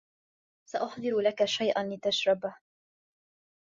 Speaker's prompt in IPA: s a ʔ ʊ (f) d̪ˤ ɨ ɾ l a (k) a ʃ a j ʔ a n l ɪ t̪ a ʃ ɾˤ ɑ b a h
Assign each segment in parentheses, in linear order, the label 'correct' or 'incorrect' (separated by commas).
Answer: incorrect, correct